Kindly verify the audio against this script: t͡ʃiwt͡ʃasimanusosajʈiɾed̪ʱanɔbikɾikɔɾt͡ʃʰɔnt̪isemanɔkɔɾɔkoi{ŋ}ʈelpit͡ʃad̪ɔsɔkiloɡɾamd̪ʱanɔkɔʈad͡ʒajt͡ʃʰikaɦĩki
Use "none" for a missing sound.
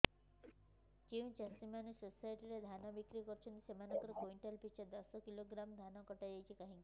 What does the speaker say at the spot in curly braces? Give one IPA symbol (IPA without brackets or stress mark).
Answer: ɳ